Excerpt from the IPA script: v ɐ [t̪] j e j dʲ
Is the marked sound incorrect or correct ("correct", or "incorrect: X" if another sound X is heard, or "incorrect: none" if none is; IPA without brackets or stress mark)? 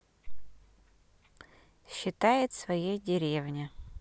incorrect: none